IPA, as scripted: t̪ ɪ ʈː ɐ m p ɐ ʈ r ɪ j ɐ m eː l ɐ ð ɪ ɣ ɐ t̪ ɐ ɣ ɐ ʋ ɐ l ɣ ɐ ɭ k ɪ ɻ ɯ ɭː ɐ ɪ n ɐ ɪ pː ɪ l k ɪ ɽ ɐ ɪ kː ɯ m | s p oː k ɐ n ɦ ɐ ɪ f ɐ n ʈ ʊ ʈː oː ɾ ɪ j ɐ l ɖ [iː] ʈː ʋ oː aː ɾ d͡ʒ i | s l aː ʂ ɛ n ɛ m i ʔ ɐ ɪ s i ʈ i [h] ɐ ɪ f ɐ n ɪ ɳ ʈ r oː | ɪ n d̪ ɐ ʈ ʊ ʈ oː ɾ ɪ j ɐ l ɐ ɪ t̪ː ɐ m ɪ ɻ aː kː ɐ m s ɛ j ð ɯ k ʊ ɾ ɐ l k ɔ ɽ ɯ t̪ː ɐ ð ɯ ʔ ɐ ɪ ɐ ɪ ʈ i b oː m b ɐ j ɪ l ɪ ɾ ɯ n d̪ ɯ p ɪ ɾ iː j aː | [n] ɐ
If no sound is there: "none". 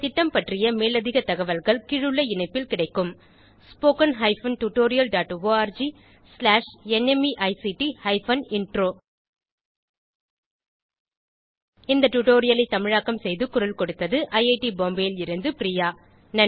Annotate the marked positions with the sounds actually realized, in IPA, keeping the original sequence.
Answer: aː, h, n

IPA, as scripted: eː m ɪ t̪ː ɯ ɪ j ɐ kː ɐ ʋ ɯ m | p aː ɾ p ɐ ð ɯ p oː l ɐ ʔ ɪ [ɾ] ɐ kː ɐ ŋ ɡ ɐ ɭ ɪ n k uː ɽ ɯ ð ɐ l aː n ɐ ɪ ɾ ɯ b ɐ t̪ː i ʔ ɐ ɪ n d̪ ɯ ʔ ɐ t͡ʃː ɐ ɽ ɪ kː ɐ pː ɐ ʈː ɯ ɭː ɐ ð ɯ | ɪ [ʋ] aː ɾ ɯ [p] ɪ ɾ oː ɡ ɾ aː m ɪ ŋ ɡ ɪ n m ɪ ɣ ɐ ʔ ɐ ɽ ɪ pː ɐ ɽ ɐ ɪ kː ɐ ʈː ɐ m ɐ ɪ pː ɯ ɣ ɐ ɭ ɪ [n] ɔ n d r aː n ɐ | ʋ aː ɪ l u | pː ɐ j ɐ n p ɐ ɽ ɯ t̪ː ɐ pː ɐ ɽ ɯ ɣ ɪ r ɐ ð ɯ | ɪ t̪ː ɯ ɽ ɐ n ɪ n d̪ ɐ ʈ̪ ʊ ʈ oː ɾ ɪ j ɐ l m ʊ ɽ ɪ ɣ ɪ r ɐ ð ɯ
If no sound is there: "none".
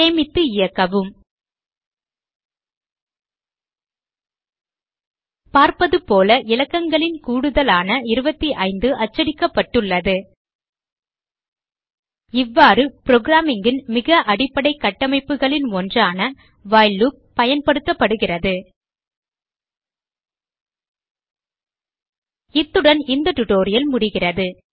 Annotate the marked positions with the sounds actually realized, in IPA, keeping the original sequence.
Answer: l, ʋː, p, n

